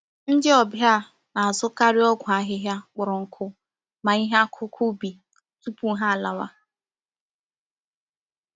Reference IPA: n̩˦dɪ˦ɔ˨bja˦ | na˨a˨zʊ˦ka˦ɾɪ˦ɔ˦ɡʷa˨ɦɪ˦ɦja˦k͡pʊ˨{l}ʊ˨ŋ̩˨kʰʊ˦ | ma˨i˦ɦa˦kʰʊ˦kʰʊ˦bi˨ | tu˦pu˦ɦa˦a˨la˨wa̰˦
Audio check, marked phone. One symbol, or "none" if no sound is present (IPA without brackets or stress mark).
ɾ